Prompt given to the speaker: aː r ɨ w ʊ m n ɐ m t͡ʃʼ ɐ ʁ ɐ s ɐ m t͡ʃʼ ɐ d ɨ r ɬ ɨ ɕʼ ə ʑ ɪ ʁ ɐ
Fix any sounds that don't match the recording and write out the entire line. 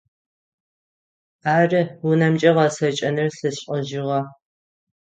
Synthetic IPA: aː r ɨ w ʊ n ɐ m t͡ʃʼ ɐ ʁ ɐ s ɐ t͡ʃʼ ɐ n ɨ r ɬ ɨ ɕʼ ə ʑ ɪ ʁ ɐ